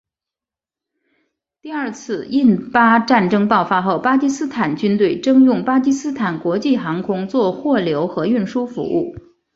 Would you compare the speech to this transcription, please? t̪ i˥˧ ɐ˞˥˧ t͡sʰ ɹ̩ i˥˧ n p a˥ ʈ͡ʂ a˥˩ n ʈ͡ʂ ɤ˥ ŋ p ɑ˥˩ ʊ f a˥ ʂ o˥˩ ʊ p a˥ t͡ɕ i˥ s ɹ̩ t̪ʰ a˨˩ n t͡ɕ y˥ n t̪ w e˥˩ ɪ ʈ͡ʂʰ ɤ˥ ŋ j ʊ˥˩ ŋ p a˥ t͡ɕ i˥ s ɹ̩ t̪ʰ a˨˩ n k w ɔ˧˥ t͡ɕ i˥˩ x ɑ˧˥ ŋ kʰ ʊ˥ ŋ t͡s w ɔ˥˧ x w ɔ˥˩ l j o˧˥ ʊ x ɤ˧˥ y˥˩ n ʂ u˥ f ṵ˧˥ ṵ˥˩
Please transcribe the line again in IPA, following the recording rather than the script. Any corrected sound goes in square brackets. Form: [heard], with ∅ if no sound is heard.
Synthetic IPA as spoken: t̪ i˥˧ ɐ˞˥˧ t͡sʰ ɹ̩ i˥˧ n p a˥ ʈ͡ʂ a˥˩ n ʈ͡ʂ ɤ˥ ŋ p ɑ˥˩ ʊ f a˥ [x] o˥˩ ʊ p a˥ t͡ɕ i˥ s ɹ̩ t̪ʰ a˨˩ n t͡ɕ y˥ n t̪ w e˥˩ ɪ [ʈ͡ʂ] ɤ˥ ŋ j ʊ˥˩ ŋ p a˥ t͡ɕ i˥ s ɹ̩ t̪ʰ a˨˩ n k w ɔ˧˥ t͡ɕ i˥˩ x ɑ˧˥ ŋ kʰ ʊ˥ ŋ t͡s w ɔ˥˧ x w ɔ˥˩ l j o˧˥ ʊ x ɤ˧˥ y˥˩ n ʂ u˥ f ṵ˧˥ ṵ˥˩

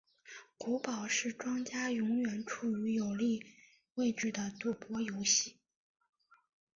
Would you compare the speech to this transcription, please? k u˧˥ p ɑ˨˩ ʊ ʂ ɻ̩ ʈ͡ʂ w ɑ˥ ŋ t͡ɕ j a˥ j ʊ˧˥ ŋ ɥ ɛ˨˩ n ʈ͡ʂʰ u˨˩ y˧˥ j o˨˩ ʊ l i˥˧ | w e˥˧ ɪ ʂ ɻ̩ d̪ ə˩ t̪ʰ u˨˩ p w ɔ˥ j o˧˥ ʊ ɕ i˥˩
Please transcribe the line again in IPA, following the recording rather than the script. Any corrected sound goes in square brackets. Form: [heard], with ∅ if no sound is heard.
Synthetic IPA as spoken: k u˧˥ p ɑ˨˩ ʊ ʂ ɻ̩ ʈ͡ʂ w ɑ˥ ŋ t͡ɕ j a˥ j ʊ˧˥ ŋ ɥ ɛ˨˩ n ʈ͡ʂʰ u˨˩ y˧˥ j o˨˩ ʊ l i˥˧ | w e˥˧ ɪ [ʈ͡ʂ] ɻ̩ d̪ ə˩ [t̪] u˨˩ p w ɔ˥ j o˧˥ ʊ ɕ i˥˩

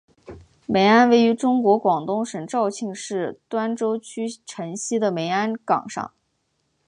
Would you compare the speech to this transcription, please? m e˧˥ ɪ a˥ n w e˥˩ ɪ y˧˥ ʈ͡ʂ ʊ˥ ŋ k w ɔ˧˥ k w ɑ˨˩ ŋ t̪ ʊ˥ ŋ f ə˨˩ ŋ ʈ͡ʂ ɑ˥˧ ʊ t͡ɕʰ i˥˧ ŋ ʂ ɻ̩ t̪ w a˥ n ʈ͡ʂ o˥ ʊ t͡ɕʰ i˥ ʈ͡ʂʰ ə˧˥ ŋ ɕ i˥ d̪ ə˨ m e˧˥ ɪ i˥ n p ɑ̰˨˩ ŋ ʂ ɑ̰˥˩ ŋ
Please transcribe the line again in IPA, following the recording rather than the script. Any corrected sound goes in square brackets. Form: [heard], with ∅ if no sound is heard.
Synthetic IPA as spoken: m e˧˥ ɪ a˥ n w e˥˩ ɪ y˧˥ ʈ͡ʂ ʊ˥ ŋ k w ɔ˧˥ k w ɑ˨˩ ŋ t̪ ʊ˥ ŋ [ʂ] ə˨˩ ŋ ʈ͡ʂ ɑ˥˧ ʊ t͡ɕʰ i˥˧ ŋ ʂ ɻ̩ t̪ w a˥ n ʈ͡ʂ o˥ ʊ t͡ɕʰ [y˥] ʈ͡ʂʰ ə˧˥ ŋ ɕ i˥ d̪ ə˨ m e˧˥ ɪ [a˥] n [k] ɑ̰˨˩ ŋ ʂ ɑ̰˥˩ ŋ

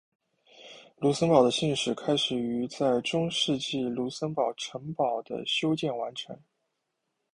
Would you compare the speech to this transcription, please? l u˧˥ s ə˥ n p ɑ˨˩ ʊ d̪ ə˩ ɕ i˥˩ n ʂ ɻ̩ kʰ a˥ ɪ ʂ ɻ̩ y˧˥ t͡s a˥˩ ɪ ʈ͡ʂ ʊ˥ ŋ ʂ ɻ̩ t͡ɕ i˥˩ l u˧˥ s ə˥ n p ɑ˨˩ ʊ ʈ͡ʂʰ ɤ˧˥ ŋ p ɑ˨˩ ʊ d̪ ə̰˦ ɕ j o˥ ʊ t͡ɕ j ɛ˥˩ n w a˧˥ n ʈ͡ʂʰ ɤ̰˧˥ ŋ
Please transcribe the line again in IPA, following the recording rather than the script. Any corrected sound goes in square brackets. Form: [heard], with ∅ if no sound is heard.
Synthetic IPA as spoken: l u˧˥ s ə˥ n p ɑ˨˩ ʊ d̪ [ə˦] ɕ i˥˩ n ʂ ɻ̩ kʰ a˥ ɪ ʂ ɻ̩ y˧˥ t͡s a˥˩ ɪ ʈ͡ʂ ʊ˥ ŋ ʂ ɻ̩ t͡ɕ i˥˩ l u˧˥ s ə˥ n p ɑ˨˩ ʊ ʈ͡ʂʰ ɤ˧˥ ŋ p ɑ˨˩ ʊ d̪ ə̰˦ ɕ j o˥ ʊ t͡ɕ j ɛ˥˩ n w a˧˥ n ʈ͡ʂʰ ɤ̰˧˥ ŋ

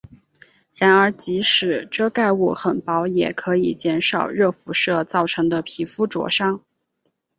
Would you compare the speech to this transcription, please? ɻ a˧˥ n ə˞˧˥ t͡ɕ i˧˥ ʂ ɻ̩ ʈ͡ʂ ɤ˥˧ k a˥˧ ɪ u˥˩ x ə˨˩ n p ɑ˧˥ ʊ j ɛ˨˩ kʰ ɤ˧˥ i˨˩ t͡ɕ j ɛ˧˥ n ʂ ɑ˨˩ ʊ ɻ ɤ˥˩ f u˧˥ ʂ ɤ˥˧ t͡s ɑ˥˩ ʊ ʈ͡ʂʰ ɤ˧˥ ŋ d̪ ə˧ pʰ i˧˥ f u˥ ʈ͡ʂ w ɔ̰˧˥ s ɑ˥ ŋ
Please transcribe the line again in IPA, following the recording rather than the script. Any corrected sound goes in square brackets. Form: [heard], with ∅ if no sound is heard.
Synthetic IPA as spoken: ɻ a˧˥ n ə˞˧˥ t͡ɕ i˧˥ ʂ ɻ̩ ʈ͡ʂ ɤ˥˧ k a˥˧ ɪ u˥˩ x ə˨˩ n p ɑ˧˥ ʊ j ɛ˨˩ kʰ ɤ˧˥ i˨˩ t͡ɕ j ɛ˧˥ n ʂ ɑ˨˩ ʊ ɻ ɤ˥˩ f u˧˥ ʂ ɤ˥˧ t͡s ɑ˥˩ ʊ ʈ͡ʂʰ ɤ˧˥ ŋ d̪ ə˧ pʰ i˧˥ f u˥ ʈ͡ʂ w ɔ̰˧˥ [ʂ] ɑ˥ ŋ

